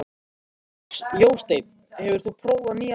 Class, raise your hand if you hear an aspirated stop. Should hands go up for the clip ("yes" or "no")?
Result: yes